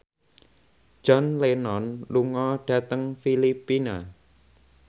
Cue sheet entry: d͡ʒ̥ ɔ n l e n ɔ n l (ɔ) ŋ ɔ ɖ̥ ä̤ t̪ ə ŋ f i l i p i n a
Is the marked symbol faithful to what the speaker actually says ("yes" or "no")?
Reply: no